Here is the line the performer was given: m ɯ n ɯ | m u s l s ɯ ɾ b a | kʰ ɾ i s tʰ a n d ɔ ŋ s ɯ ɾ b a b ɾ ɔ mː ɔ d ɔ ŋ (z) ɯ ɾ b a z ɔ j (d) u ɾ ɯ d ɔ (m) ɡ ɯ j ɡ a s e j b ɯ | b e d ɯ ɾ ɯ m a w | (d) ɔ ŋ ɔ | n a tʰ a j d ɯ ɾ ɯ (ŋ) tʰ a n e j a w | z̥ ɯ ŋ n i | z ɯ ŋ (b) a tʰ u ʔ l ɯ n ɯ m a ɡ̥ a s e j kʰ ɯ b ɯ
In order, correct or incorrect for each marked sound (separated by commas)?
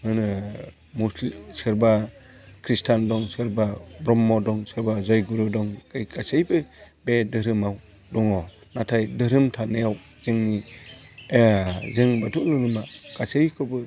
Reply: incorrect, incorrect, incorrect, correct, incorrect, correct